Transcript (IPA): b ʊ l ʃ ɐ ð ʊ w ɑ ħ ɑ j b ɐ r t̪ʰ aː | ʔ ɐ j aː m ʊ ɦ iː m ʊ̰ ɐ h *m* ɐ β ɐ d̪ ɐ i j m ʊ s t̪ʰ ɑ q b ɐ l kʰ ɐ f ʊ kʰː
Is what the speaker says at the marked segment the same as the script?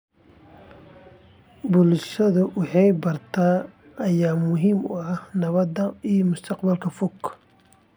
no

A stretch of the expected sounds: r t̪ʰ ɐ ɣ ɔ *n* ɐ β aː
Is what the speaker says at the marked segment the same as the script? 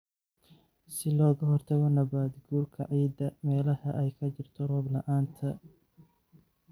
yes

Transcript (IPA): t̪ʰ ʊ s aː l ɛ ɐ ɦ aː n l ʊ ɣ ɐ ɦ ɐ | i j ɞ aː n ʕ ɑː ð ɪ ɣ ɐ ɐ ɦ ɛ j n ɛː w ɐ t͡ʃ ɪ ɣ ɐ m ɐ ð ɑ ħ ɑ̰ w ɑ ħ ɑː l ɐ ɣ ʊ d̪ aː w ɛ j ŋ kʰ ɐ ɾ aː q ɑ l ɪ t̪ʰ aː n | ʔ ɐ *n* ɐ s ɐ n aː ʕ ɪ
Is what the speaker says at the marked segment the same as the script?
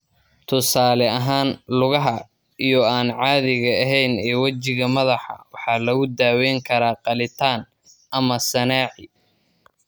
no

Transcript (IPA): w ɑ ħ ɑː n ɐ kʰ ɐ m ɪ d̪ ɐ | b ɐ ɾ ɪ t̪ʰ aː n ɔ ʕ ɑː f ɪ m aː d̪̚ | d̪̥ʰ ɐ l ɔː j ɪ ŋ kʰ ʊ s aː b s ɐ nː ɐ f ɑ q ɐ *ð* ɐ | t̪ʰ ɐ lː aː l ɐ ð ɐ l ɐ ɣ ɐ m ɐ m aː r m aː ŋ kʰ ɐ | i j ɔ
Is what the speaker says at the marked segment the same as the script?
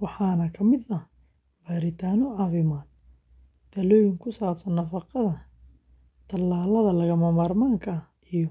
yes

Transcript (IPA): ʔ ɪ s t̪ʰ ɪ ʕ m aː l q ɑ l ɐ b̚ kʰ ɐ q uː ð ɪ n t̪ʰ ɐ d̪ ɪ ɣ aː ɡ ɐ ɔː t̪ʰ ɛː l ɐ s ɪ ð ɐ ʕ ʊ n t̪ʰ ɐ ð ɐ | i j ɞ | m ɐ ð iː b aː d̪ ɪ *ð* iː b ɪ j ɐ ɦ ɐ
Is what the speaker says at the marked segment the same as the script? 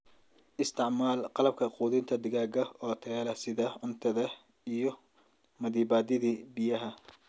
yes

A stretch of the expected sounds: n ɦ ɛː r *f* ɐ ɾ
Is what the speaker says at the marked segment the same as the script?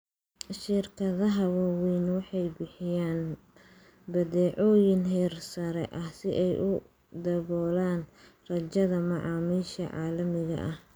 no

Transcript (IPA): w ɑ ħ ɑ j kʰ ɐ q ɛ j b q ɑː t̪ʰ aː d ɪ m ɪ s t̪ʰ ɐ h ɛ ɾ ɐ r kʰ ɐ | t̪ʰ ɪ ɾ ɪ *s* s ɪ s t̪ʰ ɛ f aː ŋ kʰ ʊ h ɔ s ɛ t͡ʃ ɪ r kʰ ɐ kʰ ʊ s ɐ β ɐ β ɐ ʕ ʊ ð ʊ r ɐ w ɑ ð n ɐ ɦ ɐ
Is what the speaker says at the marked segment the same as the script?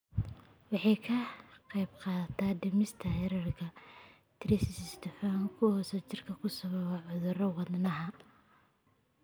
yes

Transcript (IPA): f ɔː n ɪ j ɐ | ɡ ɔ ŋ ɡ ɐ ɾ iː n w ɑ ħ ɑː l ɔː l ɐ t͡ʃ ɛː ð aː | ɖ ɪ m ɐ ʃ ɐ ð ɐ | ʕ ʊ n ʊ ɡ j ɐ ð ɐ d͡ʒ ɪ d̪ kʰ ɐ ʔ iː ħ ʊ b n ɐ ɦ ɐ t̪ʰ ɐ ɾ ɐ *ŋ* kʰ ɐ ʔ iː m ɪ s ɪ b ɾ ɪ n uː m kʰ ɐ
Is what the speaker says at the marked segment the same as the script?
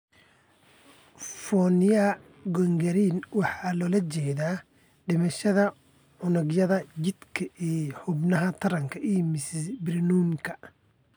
yes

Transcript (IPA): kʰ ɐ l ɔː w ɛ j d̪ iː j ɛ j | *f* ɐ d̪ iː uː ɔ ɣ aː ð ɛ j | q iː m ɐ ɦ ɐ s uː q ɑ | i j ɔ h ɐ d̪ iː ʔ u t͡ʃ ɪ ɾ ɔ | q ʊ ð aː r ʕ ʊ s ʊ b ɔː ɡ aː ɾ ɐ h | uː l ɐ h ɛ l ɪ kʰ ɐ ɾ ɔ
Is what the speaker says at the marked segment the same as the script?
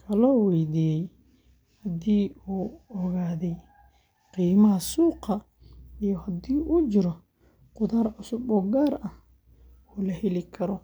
no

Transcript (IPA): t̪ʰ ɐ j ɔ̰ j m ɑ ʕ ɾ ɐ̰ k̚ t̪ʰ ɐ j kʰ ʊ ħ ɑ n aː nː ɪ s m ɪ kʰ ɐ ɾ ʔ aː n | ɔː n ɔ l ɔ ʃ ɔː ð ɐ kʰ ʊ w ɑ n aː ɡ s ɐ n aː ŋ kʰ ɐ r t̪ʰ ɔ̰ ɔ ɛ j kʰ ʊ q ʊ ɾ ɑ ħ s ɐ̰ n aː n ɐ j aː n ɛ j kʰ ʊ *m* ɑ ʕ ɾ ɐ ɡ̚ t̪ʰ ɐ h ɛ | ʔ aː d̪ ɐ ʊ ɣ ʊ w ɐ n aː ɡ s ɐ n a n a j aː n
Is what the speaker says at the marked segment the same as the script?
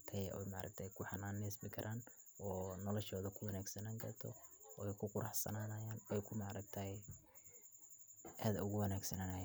yes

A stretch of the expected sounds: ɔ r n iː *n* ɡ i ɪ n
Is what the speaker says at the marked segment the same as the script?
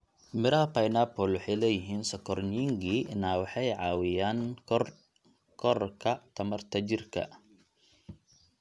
no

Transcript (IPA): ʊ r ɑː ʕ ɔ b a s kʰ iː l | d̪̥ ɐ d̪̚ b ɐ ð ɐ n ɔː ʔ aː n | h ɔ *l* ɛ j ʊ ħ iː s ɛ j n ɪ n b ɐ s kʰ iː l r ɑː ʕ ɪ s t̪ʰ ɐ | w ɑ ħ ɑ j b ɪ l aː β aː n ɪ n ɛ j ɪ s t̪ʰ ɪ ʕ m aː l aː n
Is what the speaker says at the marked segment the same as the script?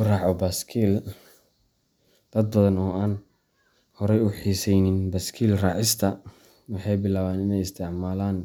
no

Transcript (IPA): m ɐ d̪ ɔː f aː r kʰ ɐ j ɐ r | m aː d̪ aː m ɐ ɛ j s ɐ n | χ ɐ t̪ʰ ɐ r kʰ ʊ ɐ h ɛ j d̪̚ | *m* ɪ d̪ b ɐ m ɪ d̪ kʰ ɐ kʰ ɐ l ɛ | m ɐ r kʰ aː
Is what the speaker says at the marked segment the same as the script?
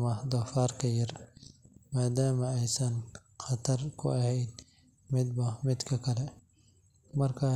yes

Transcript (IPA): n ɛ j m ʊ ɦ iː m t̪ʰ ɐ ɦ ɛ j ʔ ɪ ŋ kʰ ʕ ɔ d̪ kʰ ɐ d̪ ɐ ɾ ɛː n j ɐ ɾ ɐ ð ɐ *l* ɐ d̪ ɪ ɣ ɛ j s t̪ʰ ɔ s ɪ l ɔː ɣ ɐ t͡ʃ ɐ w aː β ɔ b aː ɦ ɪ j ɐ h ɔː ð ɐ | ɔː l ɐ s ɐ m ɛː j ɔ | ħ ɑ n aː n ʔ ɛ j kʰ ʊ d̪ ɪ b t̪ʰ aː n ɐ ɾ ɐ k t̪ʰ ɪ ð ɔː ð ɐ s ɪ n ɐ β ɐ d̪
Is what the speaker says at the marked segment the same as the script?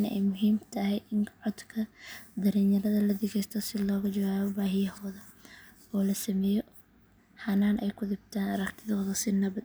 yes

